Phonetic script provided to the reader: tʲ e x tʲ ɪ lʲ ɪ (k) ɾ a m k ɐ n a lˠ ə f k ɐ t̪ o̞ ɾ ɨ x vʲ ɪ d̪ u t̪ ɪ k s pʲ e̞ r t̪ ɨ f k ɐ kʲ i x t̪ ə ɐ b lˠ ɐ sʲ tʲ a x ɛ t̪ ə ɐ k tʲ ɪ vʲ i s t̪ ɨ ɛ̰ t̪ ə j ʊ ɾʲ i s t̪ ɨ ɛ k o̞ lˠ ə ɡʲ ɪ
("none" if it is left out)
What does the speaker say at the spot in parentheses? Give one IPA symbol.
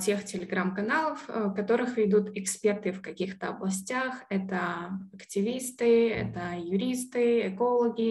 ɡ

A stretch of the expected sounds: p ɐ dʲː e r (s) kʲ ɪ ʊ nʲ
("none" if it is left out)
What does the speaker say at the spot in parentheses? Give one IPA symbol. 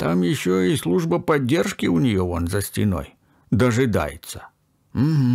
ʂ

